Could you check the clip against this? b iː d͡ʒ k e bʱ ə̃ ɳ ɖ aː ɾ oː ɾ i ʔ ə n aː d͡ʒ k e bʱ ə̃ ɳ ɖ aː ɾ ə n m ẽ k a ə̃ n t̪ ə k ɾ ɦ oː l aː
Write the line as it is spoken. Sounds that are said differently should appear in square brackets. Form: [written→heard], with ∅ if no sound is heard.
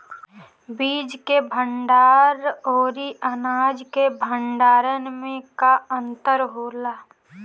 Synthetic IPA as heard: b iː d͡ʒ k e bʱ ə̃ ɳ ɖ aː ɾ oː ɾ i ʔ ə n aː d͡ʒ k e bʱ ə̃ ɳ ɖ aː ɾ ə n m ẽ k a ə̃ n t̪ ə [k→∅] ɾ ɦ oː l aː